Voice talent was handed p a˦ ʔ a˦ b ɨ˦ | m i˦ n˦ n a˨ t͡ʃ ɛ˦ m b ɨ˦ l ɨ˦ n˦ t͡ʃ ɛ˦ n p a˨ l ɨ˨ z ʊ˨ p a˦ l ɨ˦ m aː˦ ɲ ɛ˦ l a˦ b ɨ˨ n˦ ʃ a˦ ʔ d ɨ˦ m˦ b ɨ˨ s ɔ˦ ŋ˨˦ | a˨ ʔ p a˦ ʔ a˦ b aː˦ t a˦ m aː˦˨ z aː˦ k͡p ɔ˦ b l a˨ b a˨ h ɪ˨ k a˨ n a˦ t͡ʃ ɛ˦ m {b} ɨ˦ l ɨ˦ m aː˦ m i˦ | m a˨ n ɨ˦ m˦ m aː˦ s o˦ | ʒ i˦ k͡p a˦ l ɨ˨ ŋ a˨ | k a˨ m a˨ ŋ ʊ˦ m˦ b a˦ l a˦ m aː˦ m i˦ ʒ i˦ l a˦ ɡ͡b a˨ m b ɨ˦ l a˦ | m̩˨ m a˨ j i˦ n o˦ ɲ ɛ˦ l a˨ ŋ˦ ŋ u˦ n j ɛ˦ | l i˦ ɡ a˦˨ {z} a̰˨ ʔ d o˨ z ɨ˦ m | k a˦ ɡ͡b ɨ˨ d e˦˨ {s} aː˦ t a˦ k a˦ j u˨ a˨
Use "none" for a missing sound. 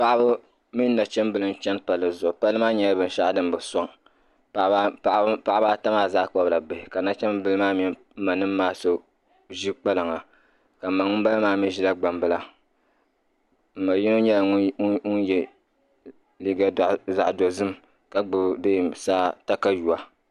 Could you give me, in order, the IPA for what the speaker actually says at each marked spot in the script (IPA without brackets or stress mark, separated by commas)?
b, z, s